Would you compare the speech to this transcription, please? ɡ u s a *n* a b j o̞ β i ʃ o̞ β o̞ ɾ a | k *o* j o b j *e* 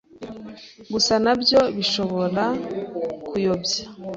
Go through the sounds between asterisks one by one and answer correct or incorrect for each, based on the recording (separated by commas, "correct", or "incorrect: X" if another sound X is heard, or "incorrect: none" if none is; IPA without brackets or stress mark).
correct, incorrect: u, incorrect: a